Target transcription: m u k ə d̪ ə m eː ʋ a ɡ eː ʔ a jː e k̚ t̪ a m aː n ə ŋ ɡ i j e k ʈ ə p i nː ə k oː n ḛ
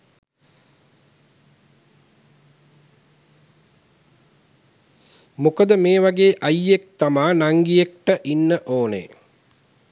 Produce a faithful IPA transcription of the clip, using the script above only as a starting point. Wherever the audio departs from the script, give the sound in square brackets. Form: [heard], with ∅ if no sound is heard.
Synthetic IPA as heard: m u k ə d̪ ə m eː ʋ a ɡ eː ʔ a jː e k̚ t̪ a m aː n [a] ŋ ɡ i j e k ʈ ə [ʔ] i nː ə [ʔ] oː n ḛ